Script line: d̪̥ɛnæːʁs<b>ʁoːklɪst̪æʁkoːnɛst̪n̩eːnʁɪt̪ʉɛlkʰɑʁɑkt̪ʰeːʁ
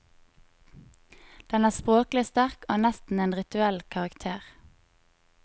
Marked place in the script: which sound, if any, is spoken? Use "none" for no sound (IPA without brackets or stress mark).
p